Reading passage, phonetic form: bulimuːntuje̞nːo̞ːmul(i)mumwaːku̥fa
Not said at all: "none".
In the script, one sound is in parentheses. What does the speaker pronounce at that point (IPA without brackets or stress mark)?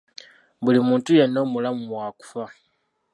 a